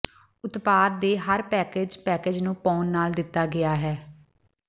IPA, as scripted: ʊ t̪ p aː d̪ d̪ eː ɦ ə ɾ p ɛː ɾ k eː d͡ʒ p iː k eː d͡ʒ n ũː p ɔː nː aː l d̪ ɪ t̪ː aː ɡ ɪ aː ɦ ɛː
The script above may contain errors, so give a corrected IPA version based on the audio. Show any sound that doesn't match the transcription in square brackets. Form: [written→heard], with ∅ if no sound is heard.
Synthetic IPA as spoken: ʊ t̪ p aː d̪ d̪ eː ɦ ə ɾ p ɛː [ɾ→∅] k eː d͡ʒ p [iː→ɛː] k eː d͡ʒ n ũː p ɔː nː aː l d̪ ɪ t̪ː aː ɡ ɪ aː ɦ ɛː